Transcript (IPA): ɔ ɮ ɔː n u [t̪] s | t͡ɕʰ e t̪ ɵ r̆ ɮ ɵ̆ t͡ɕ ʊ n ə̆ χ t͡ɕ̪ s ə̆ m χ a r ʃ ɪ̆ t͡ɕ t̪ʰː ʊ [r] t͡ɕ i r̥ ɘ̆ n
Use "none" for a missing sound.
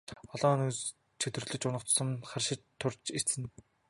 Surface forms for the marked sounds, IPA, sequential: none, r

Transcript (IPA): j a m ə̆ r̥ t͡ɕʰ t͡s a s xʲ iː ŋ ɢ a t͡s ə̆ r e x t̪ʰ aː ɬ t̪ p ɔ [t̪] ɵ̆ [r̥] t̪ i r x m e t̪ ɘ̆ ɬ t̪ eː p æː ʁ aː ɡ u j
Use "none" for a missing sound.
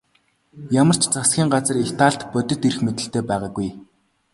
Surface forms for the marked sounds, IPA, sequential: t̪, none

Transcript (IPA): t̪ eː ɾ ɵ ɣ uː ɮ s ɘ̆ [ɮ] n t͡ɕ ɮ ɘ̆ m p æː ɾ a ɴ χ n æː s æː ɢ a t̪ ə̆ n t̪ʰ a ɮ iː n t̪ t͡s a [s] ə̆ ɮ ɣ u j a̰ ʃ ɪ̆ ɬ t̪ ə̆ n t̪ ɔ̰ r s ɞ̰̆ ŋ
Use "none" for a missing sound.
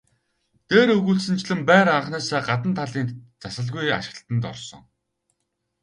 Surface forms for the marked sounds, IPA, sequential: none, s

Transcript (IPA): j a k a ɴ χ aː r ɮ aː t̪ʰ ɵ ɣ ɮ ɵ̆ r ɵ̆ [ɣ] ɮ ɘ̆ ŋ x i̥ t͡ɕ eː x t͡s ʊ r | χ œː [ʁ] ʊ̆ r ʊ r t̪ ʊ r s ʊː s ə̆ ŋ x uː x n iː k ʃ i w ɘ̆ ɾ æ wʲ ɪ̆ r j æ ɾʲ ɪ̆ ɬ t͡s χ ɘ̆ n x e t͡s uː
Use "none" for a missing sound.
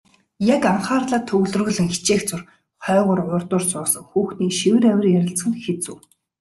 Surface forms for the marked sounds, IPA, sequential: ɣ, ʁ

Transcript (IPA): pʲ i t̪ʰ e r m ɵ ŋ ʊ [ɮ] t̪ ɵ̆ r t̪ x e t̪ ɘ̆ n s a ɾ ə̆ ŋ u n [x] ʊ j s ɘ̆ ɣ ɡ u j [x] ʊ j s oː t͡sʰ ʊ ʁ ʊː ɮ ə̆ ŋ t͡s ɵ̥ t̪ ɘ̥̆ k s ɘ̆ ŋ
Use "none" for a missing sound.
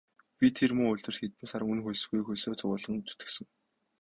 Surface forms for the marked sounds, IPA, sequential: ɮ, x, x

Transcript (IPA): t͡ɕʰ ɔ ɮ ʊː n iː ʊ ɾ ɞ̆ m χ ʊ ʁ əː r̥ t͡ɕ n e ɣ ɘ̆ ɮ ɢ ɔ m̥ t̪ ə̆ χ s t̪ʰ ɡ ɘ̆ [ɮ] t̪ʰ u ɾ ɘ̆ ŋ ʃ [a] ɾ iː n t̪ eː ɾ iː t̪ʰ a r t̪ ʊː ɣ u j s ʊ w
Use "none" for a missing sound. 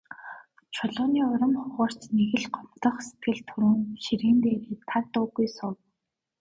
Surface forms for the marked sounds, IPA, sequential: ɮ, i

